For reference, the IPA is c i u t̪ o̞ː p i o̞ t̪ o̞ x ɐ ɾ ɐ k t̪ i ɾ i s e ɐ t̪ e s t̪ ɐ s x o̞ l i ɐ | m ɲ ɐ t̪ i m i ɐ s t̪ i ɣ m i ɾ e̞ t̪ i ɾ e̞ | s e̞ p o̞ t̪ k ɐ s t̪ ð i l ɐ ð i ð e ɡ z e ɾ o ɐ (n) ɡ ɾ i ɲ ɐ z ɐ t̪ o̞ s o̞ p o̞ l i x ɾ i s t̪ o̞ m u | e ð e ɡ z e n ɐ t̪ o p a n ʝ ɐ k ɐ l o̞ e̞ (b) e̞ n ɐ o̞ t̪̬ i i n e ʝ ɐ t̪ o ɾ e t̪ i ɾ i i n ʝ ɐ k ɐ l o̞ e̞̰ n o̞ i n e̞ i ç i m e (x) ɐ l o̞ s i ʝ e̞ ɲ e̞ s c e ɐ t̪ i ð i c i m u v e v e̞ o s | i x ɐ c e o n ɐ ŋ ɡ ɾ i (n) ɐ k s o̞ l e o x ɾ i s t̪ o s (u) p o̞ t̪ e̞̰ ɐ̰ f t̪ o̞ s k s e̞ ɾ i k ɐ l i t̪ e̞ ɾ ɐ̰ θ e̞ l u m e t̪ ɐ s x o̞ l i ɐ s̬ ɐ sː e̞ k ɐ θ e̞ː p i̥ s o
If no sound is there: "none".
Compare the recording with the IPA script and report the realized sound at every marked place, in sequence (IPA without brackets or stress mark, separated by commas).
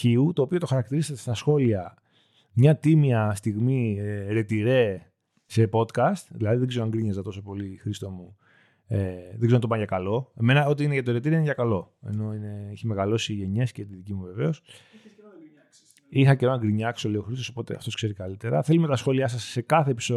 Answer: ŋ, m, ɣ, ɲ, o